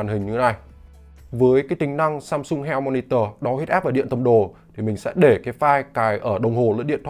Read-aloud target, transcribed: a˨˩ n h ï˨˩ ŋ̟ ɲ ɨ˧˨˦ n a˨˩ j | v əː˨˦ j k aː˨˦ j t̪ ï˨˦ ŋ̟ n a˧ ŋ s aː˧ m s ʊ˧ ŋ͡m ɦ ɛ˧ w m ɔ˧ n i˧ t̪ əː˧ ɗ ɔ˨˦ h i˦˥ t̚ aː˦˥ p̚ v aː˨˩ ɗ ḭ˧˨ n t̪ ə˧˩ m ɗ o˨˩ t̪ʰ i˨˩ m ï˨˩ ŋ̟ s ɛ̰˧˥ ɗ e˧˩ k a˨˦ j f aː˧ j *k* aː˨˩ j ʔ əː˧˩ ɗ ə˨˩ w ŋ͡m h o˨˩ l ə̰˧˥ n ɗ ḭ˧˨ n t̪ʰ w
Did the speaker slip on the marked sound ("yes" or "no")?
no